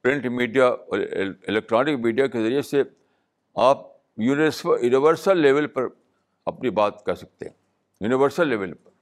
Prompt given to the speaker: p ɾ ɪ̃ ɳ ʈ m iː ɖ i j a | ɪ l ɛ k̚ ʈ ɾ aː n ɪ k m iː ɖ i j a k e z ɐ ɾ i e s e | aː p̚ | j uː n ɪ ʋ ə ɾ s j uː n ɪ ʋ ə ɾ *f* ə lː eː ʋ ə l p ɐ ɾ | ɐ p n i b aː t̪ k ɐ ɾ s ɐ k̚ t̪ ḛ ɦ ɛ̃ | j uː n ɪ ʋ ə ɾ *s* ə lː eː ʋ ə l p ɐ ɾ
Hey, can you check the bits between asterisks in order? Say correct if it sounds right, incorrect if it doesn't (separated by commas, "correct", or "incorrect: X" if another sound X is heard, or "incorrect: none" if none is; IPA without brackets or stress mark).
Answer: incorrect: s, correct